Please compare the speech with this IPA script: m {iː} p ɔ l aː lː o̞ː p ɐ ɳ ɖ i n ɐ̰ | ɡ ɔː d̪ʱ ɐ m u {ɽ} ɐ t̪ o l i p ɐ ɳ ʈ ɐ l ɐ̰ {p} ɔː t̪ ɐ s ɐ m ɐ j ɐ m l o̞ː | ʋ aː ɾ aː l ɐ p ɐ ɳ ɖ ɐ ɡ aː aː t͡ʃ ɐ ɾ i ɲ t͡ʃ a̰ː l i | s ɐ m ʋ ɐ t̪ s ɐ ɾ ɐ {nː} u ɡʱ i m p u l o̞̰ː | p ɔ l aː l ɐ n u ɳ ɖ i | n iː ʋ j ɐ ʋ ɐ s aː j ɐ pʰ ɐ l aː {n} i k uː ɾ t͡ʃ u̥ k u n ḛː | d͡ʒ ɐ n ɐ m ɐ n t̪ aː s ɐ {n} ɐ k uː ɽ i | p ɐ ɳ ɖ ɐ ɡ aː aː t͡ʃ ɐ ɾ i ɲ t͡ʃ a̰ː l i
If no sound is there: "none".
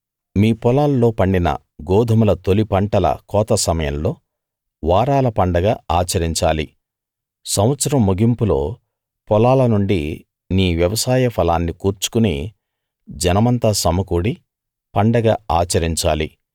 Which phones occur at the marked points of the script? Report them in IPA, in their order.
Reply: iː, l, k, mː, nː, m

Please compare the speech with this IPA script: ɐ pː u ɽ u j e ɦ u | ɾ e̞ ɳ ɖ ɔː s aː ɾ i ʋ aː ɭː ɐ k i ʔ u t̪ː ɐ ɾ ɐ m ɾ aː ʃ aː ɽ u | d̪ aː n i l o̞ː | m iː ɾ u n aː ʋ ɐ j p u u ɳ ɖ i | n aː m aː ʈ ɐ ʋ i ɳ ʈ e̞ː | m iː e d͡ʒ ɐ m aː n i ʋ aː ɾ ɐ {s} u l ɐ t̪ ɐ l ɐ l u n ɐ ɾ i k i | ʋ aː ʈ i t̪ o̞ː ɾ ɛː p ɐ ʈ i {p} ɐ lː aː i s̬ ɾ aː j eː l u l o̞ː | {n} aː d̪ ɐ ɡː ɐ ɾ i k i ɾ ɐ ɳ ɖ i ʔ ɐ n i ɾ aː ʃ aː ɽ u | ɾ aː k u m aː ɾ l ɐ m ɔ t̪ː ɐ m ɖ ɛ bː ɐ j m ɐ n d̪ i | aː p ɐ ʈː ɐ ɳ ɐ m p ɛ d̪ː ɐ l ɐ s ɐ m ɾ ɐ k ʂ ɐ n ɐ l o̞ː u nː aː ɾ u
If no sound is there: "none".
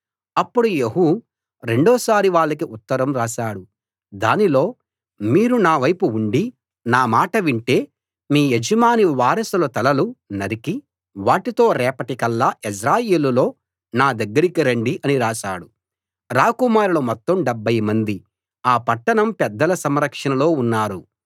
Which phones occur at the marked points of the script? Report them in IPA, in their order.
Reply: s, k, n

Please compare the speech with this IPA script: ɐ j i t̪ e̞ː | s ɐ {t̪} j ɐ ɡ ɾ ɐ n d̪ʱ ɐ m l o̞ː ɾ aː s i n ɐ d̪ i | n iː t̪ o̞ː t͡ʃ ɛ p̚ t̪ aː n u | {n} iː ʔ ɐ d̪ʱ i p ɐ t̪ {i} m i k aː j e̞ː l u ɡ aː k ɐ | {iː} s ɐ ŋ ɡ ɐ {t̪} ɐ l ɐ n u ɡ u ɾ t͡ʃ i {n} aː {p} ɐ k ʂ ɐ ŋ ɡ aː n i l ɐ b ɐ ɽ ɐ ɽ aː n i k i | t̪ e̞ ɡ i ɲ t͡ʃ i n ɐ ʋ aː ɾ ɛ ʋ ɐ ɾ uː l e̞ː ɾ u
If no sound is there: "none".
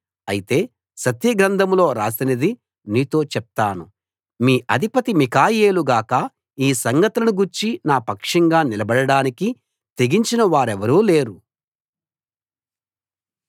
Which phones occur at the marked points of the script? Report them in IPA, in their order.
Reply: t̪, m, i, iː, t̪, n, p

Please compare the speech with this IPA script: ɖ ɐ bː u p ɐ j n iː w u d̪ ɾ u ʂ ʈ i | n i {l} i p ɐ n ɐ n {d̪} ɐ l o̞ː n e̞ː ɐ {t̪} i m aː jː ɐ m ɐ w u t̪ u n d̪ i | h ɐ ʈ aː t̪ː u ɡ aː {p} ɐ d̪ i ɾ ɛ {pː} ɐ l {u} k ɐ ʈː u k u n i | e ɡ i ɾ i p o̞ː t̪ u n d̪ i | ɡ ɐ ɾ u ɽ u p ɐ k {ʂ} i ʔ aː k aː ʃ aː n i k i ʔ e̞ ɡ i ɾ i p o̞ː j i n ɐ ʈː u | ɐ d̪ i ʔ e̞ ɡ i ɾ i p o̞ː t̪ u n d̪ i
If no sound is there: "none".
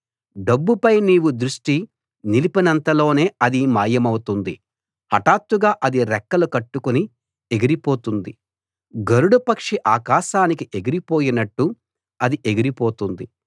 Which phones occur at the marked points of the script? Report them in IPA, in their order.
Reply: l, t̪, d̪, ʔ, kː, u, ʂ

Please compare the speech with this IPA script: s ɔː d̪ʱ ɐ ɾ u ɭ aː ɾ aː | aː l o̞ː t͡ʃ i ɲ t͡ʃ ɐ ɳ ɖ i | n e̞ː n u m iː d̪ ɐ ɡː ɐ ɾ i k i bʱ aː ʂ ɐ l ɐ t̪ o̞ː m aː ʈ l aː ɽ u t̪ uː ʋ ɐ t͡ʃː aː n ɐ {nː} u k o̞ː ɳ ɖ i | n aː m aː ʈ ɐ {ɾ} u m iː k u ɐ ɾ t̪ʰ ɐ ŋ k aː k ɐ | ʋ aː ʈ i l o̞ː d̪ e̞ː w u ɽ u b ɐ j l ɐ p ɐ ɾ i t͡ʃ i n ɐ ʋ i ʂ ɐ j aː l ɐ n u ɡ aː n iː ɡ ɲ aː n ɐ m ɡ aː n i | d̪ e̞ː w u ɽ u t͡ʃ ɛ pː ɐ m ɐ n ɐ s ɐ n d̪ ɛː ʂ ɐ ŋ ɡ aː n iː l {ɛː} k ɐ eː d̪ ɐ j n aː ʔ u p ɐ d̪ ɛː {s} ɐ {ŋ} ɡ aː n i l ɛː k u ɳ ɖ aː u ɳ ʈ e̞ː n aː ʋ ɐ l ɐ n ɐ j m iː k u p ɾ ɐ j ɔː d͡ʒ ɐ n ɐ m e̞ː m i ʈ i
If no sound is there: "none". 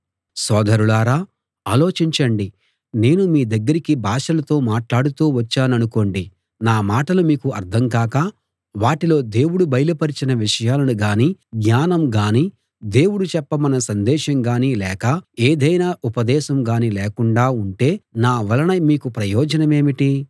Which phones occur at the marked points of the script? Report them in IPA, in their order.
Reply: n, l, ɛː, ʃ, m

